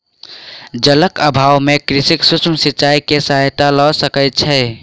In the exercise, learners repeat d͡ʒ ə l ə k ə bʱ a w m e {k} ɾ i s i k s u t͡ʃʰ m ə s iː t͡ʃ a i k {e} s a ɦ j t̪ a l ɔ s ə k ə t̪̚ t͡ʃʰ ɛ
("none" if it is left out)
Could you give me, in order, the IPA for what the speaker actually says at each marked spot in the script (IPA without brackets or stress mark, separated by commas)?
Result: k, e